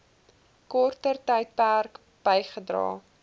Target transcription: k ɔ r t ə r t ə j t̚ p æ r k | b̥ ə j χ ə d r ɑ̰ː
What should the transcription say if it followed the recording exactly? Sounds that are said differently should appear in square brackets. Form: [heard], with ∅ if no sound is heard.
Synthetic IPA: k ɔ r t ə r t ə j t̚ p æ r k | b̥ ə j χ ə d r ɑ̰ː